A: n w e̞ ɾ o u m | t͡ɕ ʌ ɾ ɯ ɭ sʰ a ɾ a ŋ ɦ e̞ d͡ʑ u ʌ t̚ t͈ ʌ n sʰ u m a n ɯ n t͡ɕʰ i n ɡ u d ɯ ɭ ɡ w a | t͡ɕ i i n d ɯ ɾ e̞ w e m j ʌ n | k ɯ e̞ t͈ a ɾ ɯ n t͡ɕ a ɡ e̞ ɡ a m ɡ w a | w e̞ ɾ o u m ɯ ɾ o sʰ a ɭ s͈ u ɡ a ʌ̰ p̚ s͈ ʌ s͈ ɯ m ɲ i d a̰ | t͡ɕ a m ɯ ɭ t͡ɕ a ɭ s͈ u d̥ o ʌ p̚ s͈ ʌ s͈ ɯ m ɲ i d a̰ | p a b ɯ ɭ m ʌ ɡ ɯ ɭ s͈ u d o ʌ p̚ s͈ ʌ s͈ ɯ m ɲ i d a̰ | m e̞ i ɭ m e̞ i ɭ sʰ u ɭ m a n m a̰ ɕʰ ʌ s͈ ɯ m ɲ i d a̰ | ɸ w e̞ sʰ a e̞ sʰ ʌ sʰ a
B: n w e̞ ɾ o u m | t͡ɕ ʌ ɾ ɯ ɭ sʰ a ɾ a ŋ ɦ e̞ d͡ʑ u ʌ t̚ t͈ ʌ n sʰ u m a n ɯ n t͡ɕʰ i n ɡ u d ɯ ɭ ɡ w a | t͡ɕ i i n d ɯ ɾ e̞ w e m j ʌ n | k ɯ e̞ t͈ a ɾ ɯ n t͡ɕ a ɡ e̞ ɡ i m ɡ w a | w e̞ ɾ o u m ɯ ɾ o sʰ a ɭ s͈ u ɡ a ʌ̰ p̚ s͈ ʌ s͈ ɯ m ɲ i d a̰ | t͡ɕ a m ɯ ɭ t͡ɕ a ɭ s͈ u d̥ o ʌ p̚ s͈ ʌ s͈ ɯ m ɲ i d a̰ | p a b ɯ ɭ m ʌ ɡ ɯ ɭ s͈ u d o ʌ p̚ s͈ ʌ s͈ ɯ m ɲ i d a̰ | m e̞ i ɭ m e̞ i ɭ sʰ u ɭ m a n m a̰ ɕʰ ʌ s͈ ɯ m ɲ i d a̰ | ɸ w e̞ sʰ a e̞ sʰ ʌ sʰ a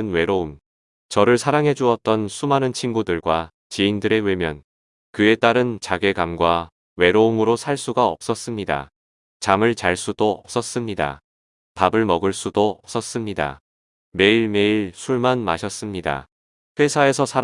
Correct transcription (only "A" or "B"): A